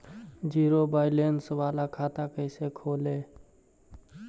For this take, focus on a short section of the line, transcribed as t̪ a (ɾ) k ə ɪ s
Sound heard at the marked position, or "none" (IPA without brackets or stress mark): none